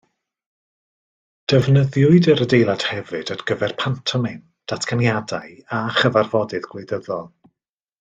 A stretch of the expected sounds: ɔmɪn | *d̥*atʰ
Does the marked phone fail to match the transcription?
no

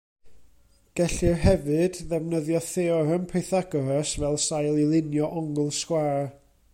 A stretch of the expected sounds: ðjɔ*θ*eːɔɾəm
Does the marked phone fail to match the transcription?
no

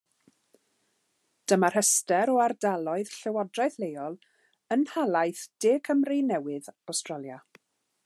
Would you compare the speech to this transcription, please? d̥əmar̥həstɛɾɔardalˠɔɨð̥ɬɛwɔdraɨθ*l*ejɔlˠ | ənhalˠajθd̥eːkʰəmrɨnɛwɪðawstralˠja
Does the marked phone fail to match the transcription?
no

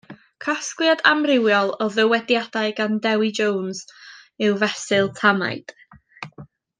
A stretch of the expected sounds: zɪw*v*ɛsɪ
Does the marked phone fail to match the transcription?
no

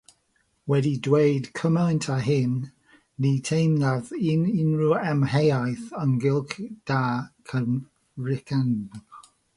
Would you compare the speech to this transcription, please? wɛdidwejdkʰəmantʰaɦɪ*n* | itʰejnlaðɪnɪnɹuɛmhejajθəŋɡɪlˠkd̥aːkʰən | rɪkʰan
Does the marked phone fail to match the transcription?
yes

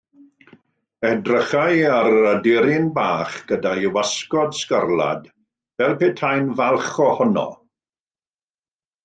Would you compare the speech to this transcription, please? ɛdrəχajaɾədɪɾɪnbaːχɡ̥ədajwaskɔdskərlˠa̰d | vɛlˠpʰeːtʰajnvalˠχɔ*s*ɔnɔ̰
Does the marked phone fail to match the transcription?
yes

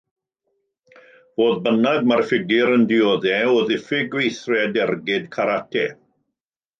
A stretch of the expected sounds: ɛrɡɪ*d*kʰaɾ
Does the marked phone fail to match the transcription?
no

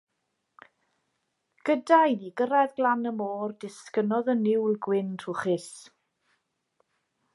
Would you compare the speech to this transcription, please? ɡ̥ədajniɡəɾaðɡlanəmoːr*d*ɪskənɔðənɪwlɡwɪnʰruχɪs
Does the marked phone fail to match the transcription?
no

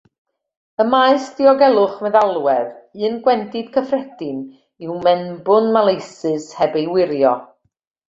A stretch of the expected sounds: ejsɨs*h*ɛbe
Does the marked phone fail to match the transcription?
no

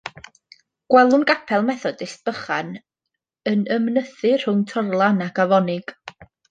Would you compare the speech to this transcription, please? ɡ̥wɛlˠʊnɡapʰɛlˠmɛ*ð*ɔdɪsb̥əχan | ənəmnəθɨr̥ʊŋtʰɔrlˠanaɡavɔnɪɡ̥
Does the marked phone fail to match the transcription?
yes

